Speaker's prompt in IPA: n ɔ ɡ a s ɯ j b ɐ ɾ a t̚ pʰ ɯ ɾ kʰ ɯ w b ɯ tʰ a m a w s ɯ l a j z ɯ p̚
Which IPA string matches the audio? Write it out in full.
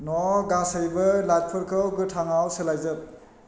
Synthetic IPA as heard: n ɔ ɡ a s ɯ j b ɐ l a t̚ pʰ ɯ ɾ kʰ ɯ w ɡ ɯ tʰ a ŋ a w s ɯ l a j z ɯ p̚

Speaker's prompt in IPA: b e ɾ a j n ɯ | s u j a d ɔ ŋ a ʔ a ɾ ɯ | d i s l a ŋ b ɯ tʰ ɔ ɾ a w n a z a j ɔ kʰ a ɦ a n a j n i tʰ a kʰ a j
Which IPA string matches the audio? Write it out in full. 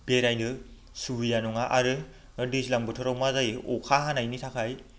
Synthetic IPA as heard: b e ɾ a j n ɯ | s u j a n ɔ ŋ a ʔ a ɾ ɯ | d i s l a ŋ b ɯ tʰ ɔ ɾ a w m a z a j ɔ kʰ a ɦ a n a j n i tʰ a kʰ a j

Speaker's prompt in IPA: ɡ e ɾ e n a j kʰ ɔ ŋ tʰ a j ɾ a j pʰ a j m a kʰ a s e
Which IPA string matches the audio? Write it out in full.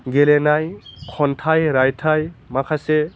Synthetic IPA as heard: ɡ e l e n a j kʰ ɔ n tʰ a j ɾ a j tʰ a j m a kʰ a s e

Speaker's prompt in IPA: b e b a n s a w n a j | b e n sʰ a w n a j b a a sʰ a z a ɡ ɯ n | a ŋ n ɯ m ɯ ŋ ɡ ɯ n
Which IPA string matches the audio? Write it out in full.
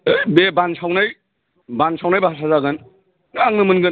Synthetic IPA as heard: b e b a n s a w n a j | b a n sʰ a w n a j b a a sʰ a z a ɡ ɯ n | a ŋ n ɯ m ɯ n ɡ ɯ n

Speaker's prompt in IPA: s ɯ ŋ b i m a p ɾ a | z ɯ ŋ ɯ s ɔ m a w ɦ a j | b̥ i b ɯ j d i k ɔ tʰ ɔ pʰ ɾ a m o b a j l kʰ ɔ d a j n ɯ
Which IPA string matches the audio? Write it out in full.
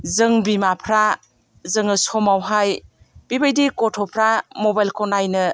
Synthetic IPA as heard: z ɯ ŋ b i m a pʰ ɾ a | z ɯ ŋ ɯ s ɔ m a w ɦ a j | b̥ i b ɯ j d i k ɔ tʰ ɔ pʰ ɾ a m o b a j l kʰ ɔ n a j n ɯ

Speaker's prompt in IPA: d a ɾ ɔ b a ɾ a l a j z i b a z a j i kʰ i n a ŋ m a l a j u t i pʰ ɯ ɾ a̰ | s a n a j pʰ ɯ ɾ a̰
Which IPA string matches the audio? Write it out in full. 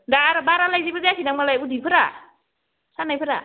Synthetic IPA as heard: d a ɾ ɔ b a ɾ a l a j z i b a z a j a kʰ i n a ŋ m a l a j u d i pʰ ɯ ɾ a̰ | s a n a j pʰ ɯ ɾ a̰

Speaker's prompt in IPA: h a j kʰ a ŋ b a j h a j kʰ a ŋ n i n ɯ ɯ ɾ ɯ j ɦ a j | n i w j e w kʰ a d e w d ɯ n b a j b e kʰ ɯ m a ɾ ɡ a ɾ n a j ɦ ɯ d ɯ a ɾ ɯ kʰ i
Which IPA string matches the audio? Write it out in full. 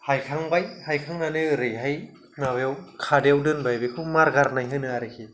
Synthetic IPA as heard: h a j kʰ a ŋ b a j h a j kʰ a ŋ n a n ɯ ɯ ɾ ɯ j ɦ a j | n a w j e w kʰ a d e w d ɯ n b a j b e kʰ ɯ m a ɾ ɡ a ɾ n a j ɦ ɯ n ɯ a ɾ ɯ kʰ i

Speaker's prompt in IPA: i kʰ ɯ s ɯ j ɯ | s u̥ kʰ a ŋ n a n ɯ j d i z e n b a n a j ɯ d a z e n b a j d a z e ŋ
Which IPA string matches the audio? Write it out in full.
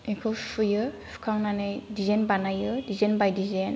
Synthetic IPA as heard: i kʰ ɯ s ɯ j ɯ | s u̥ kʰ a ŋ n a n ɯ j d i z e n b a n a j ɯ d i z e n b a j d i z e n

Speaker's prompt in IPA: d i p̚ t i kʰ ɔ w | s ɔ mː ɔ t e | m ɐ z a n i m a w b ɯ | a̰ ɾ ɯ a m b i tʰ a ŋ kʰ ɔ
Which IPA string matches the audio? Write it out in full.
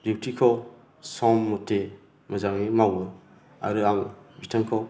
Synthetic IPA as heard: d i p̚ t i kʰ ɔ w | s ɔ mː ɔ t e | m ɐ z a ŋ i m a w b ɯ | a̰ ɾ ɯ a ŋ b i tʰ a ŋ kʰ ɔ

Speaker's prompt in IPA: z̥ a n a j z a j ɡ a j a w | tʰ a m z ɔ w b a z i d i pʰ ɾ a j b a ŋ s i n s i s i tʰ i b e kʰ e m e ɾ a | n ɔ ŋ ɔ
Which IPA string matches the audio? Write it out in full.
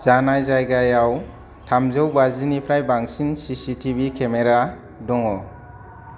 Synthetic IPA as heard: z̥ a n a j z a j ɡ a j a w | tʰ a m z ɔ w b a z i n i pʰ ɾ a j b a ŋ s i n s i s i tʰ i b i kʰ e m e ɾ a | d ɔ ŋ ɔ

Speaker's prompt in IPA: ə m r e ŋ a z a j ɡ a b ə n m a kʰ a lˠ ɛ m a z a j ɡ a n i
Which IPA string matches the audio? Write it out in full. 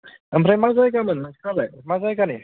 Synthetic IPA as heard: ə m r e m a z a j ɡ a m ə n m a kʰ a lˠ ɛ m a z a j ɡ a n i

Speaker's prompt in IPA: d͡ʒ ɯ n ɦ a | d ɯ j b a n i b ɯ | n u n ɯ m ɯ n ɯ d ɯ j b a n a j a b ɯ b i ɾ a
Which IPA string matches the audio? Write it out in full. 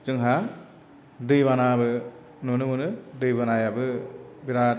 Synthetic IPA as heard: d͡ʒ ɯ ŋ ɦ a | d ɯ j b a n a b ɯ | n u n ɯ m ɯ n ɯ d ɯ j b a n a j a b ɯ b i ɾ a

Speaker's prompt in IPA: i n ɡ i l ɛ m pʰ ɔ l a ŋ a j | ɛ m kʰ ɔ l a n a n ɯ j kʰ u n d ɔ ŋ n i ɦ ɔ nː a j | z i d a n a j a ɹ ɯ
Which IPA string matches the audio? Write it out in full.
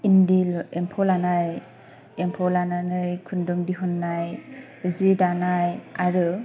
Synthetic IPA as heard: i n d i l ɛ m pʰ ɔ l a n a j | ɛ m pʰ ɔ l a n a n ɯ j kʰ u n d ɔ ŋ d i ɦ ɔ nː a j | z i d a n a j a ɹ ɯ

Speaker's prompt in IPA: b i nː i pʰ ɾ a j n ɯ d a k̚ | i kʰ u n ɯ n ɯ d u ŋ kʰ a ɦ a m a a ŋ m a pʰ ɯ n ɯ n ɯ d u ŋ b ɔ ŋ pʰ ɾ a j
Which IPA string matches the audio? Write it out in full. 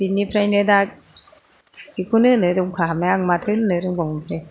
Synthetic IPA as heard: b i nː i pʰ ɾ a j n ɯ d a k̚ | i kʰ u n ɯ n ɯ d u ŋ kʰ a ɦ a m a a ŋ m a tʰ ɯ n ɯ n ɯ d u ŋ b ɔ ŋ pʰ ɾ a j

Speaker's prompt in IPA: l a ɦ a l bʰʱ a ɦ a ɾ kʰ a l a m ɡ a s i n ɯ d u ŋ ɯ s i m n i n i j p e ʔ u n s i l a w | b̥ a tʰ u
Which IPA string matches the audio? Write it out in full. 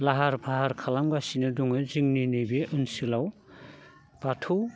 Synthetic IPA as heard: l a ɦ a ɾ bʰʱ a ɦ a ɾ kʰ a l a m ɡ a s i n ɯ d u ŋ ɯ z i ŋ n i n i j b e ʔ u n s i l a w | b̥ a tʰ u

